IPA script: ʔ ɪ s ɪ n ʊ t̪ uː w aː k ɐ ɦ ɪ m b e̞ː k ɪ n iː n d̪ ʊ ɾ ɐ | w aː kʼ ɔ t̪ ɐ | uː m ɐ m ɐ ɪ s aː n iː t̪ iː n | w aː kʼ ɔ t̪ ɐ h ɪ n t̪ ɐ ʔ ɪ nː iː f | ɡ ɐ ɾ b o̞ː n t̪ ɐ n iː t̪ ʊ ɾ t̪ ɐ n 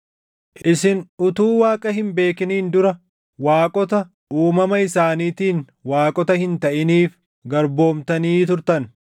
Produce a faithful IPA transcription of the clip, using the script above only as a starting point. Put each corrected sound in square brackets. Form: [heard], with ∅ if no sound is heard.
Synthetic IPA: ʔ ɪ s ɪ n ʊ t̪ uː w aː [kʼ] ɐ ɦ ɪ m b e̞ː k ɪ n iː n d̪ ʊ ɾ ɐ | w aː kʼ ɔ t̪ ɐ | uː m ɐ m ɐ ɪ s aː n iː t̪ iː n | w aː kʼ ɔ t̪ ɐ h ɪ n t̪ ɐ ʔ ɪ [n] iː f | ɡ ɐ ɾ b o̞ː [m] t̪ ɐ n iː t̪ ʊ ɾ t̪ ɐ n